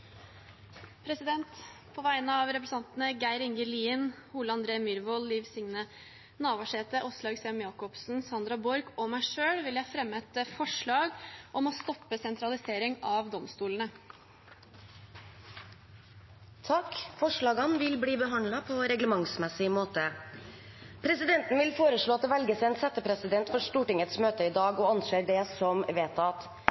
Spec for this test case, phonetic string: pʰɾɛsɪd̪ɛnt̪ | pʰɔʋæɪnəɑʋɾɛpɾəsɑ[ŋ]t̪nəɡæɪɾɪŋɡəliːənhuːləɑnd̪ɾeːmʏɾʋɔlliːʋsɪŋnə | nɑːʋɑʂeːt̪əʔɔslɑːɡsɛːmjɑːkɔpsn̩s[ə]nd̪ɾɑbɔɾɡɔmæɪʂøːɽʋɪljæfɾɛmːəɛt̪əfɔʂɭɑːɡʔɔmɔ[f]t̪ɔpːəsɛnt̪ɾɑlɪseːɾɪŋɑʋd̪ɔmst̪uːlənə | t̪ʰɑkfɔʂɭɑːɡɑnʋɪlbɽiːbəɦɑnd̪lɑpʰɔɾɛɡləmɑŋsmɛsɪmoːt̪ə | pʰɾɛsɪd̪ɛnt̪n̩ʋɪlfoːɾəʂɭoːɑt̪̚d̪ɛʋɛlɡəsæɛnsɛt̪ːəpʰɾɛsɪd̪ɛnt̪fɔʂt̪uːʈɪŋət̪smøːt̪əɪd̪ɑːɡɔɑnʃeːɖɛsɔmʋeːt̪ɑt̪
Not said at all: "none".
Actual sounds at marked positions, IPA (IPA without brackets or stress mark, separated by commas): n, ɑ, s